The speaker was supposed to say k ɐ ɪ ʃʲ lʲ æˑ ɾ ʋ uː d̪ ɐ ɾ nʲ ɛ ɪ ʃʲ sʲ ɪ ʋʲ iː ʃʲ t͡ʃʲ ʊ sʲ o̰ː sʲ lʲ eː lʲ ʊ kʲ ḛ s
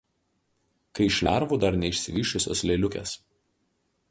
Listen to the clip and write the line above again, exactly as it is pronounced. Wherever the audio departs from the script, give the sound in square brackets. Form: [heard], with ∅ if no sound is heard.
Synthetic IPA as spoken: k ɐ ɪ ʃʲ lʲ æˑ ɾ ʋ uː d̪ ɐ ɾ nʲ ɛ ɪ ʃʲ sʲ ɪ ʋʲ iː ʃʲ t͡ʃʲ ʊ sʲ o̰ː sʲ lʲ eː lʲ ʊ kʲ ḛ s